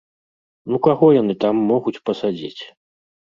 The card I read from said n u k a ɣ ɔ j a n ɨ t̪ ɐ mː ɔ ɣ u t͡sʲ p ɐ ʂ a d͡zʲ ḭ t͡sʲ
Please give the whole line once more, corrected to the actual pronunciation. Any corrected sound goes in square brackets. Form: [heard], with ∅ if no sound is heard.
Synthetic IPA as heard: n u k a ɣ ɔ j a n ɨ t̪ [a] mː ɔ ɣ u t͡sʲ p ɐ [s] a d͡zʲ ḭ t͡sʲ